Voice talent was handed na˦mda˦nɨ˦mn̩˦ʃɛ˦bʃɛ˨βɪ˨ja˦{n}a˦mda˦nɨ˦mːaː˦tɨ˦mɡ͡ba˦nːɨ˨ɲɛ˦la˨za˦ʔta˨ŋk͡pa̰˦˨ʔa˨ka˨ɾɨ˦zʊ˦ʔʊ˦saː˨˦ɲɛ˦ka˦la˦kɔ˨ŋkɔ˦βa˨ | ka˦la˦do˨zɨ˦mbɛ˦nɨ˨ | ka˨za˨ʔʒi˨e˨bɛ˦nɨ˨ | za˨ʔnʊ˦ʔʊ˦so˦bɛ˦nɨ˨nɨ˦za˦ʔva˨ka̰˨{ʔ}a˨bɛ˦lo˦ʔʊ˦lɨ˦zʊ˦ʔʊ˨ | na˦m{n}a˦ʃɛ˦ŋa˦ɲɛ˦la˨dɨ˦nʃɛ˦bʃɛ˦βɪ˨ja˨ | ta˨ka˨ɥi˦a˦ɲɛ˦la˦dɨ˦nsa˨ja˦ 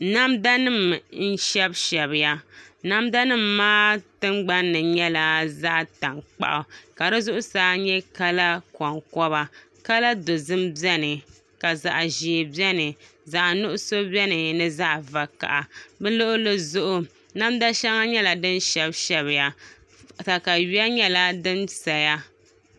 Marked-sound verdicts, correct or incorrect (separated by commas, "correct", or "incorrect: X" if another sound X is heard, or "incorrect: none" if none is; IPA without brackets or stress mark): correct, correct, incorrect: d